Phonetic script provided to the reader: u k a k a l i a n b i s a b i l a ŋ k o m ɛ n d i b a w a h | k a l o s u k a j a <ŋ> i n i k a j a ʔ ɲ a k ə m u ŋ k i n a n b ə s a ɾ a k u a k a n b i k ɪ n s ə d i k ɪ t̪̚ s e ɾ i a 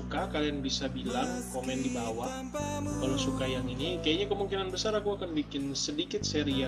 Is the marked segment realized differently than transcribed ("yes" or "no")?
no